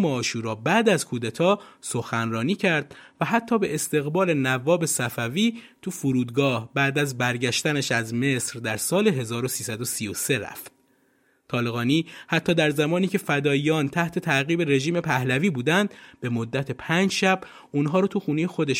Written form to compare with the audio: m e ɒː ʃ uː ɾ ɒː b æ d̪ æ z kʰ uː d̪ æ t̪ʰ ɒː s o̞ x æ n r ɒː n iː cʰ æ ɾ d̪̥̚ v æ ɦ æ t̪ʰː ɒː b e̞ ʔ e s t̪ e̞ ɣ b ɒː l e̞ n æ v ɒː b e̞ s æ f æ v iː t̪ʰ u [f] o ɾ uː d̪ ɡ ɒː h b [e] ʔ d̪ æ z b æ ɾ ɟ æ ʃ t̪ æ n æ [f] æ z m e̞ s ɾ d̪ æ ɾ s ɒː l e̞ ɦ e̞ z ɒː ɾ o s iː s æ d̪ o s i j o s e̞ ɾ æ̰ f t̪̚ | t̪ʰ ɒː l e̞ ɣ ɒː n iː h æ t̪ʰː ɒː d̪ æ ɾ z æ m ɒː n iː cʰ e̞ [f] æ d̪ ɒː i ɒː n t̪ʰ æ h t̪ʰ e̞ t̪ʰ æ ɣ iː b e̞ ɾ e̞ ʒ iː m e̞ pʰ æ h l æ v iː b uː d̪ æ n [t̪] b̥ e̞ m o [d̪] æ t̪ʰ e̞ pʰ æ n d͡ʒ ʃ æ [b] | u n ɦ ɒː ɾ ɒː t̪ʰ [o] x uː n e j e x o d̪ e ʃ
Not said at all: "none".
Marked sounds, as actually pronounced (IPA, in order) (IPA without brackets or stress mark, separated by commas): f, æ, ʃ, f, d̪, d̪ː, b, u